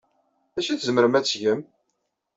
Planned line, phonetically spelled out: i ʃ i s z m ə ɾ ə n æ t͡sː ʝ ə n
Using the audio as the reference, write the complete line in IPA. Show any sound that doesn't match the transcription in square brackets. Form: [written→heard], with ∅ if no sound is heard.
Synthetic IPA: [i→æ] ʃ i [s→θ] z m ə ɾ ə [n→m] æ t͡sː ʝ ə [n→m]